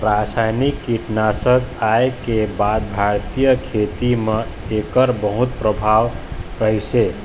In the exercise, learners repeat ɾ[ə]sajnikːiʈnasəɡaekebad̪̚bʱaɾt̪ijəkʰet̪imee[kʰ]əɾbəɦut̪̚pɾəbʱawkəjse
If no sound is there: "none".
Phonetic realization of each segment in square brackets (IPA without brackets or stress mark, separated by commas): a, k